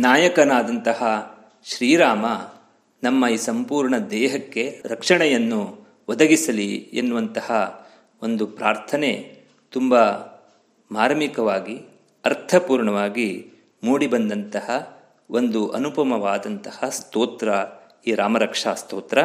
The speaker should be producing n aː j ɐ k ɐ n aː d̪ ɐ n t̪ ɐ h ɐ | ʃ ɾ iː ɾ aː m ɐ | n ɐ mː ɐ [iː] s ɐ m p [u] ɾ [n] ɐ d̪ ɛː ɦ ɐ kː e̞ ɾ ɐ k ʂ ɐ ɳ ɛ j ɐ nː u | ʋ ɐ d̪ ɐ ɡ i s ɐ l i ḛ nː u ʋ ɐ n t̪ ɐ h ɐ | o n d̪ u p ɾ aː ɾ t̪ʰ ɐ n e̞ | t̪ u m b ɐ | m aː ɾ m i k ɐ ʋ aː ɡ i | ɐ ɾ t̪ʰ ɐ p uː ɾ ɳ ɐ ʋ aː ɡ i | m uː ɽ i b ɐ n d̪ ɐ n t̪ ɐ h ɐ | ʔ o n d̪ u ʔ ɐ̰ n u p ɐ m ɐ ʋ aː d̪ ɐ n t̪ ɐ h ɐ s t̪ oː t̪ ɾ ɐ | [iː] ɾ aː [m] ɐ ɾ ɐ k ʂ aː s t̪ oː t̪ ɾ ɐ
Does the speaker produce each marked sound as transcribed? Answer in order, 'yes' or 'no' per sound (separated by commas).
yes, no, no, yes, yes